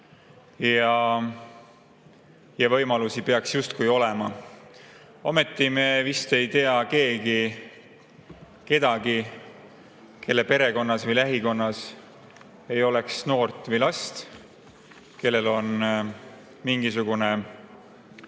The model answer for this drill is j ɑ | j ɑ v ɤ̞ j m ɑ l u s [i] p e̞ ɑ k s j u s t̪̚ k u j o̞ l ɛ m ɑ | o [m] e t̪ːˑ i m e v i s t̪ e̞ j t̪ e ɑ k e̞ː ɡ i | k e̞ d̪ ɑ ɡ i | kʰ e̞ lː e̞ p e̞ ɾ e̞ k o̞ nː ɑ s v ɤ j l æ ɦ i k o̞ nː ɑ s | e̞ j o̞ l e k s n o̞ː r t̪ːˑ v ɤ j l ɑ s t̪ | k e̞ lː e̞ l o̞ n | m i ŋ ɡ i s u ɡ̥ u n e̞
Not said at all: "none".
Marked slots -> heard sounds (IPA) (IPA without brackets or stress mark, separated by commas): i, m